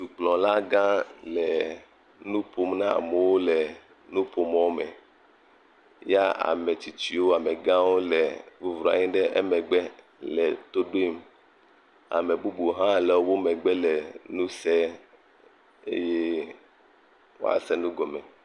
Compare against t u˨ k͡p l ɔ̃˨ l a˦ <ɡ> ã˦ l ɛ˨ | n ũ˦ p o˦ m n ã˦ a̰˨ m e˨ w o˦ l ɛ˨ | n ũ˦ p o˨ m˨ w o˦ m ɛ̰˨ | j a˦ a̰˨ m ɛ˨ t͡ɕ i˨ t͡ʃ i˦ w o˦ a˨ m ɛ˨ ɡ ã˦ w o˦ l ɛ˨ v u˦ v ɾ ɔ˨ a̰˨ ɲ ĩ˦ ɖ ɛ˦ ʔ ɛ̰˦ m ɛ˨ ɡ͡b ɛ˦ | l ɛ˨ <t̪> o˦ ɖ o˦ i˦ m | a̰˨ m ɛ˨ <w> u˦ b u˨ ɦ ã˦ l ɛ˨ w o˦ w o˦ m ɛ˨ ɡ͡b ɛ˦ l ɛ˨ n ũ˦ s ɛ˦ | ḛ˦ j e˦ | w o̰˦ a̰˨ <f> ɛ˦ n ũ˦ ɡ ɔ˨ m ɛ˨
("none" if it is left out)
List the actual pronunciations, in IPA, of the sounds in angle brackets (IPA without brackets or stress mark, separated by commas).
ɡ, t̪, b, s